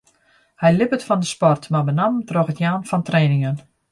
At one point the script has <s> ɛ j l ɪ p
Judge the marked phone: incorrect: h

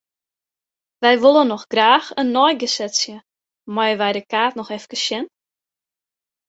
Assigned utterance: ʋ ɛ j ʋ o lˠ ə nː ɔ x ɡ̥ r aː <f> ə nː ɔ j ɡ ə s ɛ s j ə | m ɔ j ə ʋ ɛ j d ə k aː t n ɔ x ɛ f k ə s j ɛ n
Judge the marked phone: incorrect: x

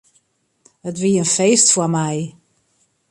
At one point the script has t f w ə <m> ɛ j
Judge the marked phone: correct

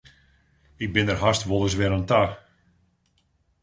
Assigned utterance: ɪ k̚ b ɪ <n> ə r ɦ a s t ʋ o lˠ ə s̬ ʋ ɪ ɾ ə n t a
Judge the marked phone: correct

